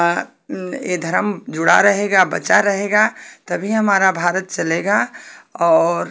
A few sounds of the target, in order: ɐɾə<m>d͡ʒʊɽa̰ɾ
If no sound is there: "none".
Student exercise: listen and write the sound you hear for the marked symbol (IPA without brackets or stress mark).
m